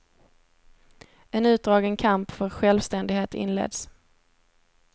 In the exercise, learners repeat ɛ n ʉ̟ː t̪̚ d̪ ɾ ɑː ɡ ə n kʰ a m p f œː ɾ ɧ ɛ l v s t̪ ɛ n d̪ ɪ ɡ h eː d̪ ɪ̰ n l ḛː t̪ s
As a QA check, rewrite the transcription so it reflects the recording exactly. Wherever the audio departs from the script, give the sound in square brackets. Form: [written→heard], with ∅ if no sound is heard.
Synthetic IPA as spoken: ɛ n ʉ̟ː t̪̚ d̪ ɾ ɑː ɡ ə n kʰ a m p f [œː→œ] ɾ ɧ ɛ l v s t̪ ɛ n d̪ ɪ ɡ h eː [d̪→t̪] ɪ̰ n l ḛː [t̪→d̪] s

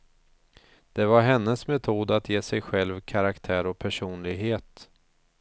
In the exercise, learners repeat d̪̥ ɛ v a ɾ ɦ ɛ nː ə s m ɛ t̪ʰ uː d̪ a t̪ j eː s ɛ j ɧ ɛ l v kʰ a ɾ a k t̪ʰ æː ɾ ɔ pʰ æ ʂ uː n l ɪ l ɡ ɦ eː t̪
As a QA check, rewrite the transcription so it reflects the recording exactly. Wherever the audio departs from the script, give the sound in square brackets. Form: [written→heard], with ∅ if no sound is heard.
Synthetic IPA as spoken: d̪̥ ɛ v a ɾ ɦ ɛ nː ə s m ɛ t̪ʰ uː d̪ a t̪ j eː s ɛ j ɧ ɛ l v kʰ a ɾ a k t̪ʰ æː ɾ ɔ pʰ æ ʂ uː n l ɪ [l→∅] ɡ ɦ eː t̪

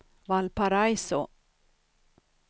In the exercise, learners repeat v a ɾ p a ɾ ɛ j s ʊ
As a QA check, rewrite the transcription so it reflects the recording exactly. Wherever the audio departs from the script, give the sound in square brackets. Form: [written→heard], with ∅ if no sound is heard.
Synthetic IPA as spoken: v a [ɾ→l] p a ɾ [ɛ→a] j s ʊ

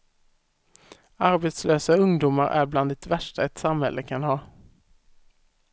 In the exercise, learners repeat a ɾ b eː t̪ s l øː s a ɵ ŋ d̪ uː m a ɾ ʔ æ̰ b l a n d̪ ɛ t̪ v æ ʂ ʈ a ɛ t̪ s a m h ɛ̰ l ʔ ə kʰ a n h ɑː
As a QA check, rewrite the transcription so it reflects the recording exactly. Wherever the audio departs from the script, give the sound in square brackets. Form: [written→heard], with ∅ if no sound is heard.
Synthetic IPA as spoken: a ɾ b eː t̪ s l øː s a ɵ ŋ d̪ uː m a ɾ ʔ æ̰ b l a n d̪ ɛ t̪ v æ ʂ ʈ a ɛ t̪ s a m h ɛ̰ l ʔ ə kʰ a n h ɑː

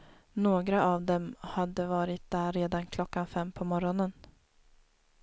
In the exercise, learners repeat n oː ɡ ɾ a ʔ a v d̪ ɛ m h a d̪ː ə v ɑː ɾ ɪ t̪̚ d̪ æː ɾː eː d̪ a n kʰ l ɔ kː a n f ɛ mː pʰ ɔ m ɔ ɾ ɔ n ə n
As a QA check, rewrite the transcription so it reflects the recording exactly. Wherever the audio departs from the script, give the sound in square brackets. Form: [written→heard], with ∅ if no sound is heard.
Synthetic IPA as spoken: n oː ɡ ɾ a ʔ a v d̪ ɛ m h a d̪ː ə v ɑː ɾ ɪ t̪̚ d̪ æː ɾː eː d̪ a n kʰ l ɔ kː a n f ɛ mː pʰ ɔ m ɔ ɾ ɔ n ə n

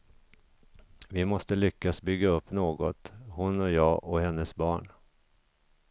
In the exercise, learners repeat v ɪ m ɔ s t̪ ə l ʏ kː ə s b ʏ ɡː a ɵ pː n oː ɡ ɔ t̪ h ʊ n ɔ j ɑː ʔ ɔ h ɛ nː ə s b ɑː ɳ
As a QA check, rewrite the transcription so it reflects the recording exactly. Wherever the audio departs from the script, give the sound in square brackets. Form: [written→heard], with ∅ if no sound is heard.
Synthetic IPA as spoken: v ɪ m ɔ s t̪ ə l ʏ kː [ə→a] s b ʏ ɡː a ɵ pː n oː ɡ ɔ t̪ h ʊ n ɔ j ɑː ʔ ɔ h ɛ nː ə s b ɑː ɳ

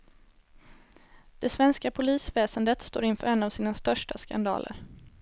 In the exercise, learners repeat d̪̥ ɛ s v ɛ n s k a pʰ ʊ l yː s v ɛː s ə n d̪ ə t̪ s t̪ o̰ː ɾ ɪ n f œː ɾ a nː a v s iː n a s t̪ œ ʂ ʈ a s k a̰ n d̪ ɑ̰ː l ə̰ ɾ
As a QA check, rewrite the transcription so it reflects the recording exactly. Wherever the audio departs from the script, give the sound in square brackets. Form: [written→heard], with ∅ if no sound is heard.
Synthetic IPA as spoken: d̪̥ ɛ s v ɛ n s k a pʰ ʊ l [yː→iː] s v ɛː s ə n d̪ ə t̪ s t̪ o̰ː ɾ ɪ n f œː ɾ [a→ɛ] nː a v s iː n a s t̪ œ ʂ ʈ a s k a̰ n d̪ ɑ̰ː l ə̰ ɾ

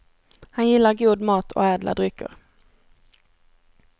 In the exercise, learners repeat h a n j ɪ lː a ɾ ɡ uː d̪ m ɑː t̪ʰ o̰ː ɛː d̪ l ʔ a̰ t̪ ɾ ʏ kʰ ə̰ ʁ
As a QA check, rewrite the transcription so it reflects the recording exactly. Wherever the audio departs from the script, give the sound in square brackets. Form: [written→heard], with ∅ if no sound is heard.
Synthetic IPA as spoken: h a n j ɪ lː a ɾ ɡ uː d̪ m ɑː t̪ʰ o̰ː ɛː d̪ l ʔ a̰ [t̪→d̪] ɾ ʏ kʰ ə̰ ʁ

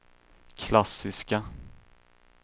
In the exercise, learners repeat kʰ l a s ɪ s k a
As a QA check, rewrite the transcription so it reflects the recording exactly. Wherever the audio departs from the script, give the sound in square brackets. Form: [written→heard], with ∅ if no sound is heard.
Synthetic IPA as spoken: kʰ l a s ɪ s k a

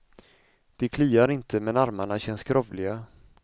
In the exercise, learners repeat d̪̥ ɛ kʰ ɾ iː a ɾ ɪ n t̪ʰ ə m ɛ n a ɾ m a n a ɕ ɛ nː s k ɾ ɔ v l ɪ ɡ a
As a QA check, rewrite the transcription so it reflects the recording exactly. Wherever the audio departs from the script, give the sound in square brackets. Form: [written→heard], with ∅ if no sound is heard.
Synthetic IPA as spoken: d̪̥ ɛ kʰ [ɾ→l] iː a ɾ ɪ n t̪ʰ ə m ɛ n a ɾ m a [n→ɳ] a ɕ ɛ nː s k ɾ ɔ v l ɪ ɡ a

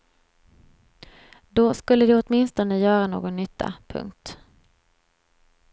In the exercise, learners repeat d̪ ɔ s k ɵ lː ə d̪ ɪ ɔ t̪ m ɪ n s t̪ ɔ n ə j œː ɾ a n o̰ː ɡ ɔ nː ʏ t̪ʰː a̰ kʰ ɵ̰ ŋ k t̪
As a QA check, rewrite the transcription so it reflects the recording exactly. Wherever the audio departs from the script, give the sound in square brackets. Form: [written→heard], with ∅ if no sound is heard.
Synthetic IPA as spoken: d̪ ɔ s k ɵ lː ə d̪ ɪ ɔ t̪ m ɪ n s t̪ ɔ n ə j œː ɾ a n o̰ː ɡ ɔ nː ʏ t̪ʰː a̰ [kʰ→pʰ] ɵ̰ ŋ k t̪

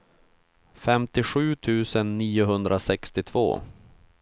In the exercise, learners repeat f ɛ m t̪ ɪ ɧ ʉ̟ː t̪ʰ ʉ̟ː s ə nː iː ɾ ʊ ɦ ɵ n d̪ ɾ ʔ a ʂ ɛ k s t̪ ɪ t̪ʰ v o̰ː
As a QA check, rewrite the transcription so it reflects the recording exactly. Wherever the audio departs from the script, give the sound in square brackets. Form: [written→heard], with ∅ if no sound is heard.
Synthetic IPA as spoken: f ɛ m t̪ ɪ ɧ ʉ̟ː t̪ʰ ʉ̟ː s ə nː iː [ɾ→∅] ʊ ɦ ɵ n d̪ ɾ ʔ a [ʂ→s] ɛ k s t̪ ɪ t̪ʰ v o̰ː

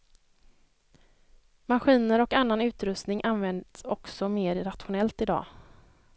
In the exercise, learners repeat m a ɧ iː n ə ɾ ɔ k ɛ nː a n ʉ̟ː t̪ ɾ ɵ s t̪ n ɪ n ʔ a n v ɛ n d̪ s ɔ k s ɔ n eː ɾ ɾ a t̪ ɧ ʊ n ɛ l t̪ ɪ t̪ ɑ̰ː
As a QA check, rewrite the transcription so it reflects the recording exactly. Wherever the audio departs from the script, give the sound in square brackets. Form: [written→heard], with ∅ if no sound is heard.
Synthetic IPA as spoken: m a ɧ iː n ə ɾ ɔ k [ɛ→a] nː a n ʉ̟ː t̪ ɾ ɵ s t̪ n ɪ [n→ŋ] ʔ a n v ɛ n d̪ s ɔ k s ɔ [n→m] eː ɾ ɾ a t̪ ɧ ʊ n ɛ l t̪ ɪ [t̪→d̪] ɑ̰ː

